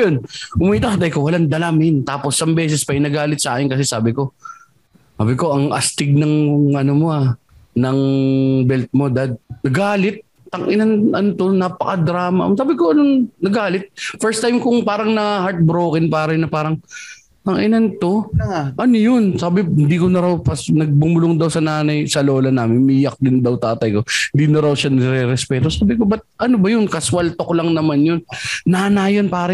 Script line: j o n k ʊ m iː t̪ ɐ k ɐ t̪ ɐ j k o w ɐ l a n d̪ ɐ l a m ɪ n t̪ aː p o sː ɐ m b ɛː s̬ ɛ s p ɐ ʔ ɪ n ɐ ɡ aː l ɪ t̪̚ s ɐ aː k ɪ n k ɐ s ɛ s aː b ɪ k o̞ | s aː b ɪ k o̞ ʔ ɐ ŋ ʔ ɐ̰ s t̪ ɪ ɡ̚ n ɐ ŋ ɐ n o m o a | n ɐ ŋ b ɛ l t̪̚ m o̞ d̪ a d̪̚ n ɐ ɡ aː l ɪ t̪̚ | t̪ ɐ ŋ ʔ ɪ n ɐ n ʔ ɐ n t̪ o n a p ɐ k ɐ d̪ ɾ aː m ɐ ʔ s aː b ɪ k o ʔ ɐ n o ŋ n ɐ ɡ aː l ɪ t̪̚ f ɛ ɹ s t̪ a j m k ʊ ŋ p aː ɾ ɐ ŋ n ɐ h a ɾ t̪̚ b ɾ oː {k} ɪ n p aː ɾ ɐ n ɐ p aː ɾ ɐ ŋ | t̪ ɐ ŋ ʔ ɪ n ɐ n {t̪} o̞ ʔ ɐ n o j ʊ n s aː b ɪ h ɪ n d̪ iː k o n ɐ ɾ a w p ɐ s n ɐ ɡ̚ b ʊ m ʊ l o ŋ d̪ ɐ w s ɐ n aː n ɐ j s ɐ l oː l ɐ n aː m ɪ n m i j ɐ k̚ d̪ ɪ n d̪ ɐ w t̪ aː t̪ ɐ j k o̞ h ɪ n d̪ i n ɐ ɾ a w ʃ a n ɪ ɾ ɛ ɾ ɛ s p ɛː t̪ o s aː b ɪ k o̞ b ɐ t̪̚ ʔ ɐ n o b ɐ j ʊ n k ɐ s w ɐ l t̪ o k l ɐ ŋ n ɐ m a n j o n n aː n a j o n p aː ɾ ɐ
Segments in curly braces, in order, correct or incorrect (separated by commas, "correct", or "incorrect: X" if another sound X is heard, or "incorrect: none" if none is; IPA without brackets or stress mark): correct, correct